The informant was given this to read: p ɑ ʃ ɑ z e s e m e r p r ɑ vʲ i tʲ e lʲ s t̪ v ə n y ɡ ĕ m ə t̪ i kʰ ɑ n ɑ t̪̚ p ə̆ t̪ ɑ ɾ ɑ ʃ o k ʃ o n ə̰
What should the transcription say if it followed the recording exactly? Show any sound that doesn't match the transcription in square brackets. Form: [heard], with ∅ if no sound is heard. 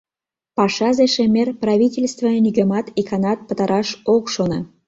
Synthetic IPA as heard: p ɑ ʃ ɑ z e [ʃ] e m e r p r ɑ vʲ i tʲ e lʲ s t̪ v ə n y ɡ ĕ m [ɑ] t̪ i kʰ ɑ n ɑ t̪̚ p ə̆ t̪ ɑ ɾ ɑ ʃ o k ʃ o n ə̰